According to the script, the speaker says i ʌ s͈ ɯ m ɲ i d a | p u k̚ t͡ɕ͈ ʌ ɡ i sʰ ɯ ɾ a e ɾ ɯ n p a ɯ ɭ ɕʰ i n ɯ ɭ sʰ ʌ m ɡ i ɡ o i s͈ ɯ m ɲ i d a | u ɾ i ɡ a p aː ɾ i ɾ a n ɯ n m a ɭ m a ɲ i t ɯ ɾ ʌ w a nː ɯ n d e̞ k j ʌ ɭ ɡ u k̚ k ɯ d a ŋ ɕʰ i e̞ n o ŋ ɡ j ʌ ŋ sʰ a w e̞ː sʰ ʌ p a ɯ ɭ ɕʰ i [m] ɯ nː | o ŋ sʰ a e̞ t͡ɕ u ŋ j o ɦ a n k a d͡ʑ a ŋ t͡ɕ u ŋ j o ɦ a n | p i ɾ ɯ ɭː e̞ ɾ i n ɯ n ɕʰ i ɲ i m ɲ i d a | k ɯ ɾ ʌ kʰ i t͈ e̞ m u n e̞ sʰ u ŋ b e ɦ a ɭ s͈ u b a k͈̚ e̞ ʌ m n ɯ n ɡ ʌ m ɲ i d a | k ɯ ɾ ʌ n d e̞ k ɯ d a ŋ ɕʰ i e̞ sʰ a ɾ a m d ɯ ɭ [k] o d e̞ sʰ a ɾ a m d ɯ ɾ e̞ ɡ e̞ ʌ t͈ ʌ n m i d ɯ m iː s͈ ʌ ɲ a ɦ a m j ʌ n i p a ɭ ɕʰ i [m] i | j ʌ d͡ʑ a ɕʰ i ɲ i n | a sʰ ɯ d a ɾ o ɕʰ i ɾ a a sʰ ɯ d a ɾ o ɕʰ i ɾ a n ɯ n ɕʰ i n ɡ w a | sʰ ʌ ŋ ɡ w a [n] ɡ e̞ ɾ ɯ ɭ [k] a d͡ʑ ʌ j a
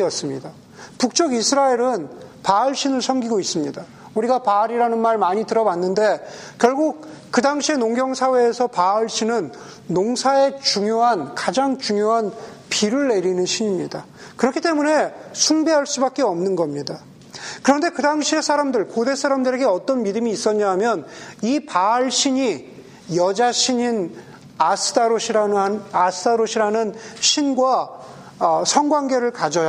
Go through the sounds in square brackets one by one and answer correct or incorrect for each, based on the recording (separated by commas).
incorrect, correct, incorrect, incorrect, correct